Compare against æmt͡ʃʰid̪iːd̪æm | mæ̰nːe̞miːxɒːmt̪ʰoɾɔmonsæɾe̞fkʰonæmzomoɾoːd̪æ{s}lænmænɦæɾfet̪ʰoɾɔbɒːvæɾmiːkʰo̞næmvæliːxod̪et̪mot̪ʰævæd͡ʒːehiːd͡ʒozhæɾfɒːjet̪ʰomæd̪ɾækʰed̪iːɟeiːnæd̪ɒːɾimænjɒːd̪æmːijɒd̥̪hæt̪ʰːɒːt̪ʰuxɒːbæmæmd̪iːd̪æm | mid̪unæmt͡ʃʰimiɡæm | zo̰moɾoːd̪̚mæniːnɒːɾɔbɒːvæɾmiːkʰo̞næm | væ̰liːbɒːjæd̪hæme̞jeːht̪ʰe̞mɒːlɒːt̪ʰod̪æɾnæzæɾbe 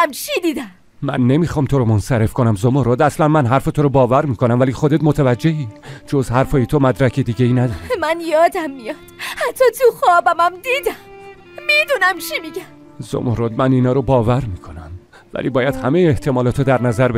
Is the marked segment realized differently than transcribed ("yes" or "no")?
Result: no